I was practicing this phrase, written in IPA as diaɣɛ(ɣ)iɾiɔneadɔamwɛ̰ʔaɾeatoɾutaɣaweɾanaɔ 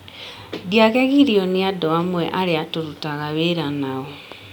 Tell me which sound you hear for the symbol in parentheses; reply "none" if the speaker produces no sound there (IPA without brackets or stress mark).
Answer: ɣ